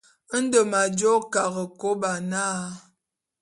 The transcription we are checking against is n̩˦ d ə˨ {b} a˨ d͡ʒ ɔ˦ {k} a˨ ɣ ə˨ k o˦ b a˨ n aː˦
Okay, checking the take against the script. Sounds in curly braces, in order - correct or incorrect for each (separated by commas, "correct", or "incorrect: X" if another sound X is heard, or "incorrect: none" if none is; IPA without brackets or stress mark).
incorrect: m, correct